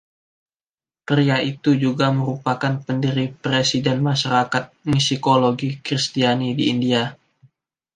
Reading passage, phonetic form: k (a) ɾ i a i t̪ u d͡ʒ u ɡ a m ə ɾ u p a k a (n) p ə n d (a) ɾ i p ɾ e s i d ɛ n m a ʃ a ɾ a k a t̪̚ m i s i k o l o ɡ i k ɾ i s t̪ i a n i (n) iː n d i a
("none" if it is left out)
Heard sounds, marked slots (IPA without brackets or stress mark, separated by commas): ə, n, i, d